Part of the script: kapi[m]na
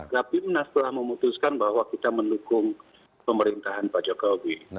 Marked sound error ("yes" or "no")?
no